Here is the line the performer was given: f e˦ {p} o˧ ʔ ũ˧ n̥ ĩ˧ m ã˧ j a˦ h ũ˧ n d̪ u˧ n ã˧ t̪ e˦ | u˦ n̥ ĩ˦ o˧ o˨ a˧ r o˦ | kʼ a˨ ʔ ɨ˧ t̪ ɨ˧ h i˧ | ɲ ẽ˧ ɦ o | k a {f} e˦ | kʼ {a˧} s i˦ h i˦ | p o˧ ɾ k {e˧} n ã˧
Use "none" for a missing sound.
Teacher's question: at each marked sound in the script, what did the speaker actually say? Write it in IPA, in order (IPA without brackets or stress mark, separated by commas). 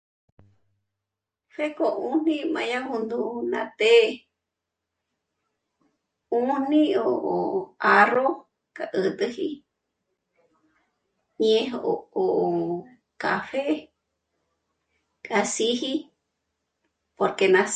k, f, a˧, e˧